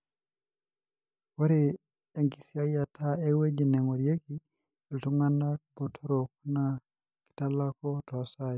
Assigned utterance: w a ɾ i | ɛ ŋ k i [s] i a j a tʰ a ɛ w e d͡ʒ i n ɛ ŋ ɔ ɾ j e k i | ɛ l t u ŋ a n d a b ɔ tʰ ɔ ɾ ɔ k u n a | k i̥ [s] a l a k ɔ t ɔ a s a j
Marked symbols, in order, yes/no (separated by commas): yes, no